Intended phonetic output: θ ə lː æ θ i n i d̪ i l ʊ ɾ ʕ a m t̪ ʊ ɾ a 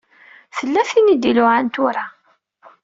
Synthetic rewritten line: θ ə lː æ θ i n i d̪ i l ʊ ʕ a n t̪ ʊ ɾ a